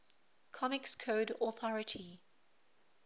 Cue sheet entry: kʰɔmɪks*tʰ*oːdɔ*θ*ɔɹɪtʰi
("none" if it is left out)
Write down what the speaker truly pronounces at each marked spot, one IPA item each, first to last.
kʰ, θ

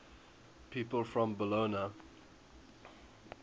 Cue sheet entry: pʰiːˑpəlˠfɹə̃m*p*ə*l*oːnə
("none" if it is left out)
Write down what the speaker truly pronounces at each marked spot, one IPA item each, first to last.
b, l

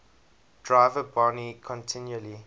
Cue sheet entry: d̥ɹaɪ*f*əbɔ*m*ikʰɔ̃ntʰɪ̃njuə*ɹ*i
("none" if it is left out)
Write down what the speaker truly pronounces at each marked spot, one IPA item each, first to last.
v, n, l

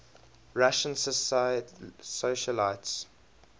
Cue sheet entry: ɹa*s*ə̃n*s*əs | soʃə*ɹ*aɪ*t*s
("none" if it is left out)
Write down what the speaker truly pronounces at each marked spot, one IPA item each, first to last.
ʃ, s, l, t

